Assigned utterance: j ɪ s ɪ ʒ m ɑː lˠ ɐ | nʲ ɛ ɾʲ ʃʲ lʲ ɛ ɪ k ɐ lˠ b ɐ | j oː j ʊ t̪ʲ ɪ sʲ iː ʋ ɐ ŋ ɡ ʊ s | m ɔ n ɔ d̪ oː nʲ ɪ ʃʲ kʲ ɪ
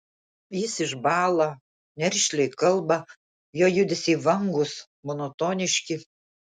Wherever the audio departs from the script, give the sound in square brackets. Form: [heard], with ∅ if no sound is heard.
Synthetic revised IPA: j ɪ s ɪ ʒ [b] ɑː lˠ ɐ | nʲ ɛ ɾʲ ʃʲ lʲ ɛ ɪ k ɐ lˠ b ɐ | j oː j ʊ [d̪ʲ] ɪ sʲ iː ʋ ɐ ŋ ɡ ʊ s | m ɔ n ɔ [t̪] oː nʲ ɪ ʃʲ kʲ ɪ